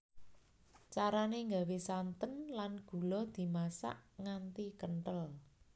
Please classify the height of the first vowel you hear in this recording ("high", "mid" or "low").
low